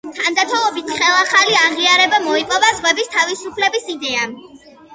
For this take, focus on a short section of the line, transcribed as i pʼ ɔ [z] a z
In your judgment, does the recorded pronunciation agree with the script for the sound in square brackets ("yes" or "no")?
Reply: no